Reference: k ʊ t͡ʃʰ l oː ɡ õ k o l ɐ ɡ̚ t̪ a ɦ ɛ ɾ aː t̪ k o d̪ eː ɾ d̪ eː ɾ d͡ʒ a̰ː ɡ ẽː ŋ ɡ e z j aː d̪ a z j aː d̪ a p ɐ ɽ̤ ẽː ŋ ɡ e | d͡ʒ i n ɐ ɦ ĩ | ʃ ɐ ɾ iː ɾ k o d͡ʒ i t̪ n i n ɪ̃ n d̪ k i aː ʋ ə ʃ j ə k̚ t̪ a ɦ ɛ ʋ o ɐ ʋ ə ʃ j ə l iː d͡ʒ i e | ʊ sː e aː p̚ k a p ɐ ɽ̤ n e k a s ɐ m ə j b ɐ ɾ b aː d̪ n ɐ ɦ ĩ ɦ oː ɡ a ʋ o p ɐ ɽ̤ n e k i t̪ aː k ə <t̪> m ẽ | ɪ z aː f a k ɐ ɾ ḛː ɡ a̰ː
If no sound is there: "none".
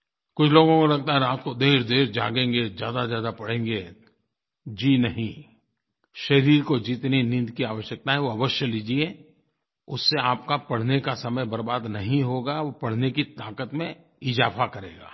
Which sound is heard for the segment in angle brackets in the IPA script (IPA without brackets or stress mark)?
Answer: t̪